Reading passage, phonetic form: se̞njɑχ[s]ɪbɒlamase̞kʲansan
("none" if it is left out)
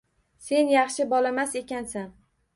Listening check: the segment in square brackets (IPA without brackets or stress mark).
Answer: ʃ